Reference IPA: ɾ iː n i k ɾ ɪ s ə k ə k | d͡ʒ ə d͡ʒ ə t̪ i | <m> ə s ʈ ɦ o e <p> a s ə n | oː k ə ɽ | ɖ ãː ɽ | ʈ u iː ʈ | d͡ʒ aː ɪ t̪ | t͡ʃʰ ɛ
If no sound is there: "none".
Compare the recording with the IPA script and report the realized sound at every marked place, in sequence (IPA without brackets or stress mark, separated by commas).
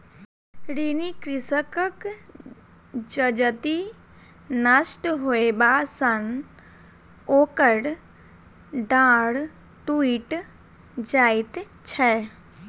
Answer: n, b